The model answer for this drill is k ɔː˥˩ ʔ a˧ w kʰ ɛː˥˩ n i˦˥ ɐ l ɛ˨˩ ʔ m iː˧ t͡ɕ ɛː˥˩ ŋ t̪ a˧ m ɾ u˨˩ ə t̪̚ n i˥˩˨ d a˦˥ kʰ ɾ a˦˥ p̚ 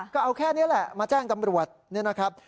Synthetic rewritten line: k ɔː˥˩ ʔ a˧ w kʰ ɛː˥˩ n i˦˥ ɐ l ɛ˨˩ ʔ m aː˧ t͡ɕ aː˥˩ ŋ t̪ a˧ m ɾ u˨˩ ə t̪̚ n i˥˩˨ n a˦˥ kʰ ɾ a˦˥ p̚